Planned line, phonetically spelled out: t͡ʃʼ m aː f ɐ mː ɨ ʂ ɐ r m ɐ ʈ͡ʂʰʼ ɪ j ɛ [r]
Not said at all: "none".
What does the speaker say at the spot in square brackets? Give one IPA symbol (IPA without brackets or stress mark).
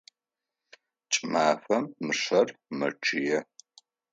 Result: none